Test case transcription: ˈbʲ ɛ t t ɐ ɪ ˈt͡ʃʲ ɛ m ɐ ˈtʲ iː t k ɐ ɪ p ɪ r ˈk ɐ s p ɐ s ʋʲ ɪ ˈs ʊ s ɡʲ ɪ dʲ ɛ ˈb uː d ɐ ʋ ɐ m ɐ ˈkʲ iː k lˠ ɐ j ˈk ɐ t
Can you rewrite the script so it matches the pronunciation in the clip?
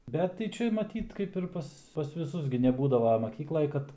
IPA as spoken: ˈbʲ ɛ t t ɐ ɪ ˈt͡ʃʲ ɛ m ɐ ˈtʲ iː t k ɐ ɪ p ɪ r ˈp ɐ s p ɐ s ʋʲ ɪ ˈs ʊ s ɡʲ ɪ nʲ ɛ ˈb uː d ɐ ʋ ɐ m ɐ ˈkʲ iː k lˠ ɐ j ˈk ɐ t